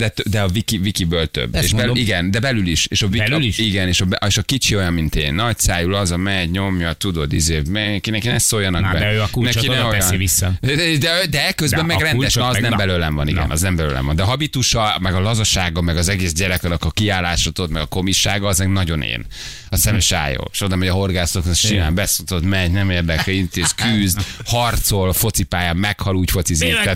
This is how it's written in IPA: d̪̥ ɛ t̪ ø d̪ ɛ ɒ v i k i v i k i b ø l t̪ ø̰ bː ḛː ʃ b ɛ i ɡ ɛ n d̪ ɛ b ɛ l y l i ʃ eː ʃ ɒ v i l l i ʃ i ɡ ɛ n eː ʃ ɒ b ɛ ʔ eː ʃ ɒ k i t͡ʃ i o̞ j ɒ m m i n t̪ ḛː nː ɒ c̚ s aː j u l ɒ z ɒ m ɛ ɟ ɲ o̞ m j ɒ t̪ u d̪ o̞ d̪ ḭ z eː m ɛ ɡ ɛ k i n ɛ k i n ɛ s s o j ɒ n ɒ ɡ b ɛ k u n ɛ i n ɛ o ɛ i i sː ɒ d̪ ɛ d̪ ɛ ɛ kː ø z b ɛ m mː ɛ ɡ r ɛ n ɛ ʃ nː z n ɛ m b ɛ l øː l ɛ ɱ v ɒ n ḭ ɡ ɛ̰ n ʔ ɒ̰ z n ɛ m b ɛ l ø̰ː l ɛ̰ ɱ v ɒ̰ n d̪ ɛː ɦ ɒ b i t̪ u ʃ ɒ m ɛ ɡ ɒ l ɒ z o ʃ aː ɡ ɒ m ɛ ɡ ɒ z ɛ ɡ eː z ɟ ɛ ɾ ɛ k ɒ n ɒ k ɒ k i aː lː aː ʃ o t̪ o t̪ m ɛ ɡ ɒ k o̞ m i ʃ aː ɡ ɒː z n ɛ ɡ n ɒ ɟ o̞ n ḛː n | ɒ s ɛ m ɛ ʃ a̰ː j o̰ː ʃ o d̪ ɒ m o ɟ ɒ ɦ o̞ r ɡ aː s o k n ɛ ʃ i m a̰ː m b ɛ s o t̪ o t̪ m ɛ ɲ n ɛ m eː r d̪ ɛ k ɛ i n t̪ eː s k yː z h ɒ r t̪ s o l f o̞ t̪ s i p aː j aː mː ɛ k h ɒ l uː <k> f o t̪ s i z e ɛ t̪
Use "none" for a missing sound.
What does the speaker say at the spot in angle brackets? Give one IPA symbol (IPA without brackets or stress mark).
c